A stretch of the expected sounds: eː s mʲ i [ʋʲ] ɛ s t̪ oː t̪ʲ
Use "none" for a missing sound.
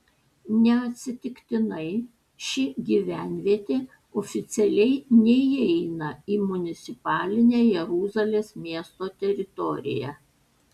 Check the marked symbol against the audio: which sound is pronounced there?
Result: none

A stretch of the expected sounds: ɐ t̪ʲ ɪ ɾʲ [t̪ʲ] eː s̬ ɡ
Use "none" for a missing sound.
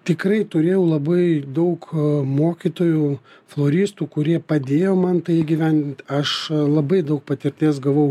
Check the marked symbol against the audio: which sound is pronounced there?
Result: t̪ʲ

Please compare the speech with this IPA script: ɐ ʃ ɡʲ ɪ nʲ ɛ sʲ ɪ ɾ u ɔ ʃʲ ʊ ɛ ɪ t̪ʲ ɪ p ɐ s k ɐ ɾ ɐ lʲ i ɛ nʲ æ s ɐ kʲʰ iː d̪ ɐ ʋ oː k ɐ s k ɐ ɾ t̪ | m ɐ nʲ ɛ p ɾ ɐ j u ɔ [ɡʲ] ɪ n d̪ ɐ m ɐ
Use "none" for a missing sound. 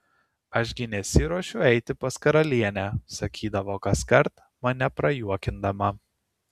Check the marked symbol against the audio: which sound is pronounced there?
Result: kʲ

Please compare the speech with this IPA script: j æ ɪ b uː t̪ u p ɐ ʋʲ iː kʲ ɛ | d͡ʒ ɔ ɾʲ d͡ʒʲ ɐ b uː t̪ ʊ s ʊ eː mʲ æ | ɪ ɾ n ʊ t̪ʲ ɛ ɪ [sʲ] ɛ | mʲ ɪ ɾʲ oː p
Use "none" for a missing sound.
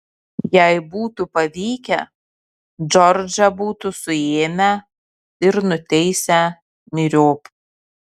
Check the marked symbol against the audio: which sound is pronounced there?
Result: sʲ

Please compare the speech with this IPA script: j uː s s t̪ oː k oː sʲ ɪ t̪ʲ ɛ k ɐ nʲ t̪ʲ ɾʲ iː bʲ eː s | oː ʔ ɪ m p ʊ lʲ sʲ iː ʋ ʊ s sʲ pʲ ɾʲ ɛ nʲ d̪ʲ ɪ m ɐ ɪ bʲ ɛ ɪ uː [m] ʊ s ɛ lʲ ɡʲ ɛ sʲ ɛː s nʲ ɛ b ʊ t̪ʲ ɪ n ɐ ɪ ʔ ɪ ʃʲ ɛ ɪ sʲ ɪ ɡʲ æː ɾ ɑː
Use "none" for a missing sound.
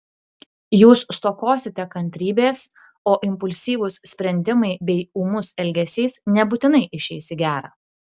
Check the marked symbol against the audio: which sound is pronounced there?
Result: m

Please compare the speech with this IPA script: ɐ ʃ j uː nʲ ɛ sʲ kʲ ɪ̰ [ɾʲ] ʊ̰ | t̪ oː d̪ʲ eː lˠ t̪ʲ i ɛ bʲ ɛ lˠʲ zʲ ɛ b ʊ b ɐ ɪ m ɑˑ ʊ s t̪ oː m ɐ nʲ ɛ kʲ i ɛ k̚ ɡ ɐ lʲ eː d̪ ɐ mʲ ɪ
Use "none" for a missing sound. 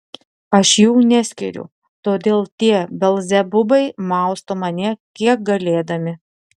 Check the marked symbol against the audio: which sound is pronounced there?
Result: ɾʲ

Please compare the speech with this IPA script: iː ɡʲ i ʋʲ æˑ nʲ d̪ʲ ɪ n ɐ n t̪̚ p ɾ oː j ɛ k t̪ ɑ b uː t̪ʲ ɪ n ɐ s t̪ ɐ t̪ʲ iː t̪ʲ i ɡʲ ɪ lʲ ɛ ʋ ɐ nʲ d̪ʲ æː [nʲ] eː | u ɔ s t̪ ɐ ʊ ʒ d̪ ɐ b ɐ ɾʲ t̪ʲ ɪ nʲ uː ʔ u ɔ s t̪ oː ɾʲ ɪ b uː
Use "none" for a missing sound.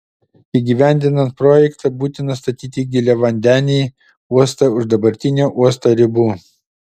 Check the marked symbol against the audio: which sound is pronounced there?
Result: nʲ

